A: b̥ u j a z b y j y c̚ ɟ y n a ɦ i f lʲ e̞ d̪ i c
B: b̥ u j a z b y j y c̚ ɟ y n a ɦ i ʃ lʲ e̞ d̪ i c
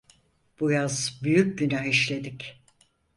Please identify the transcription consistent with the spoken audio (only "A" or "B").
B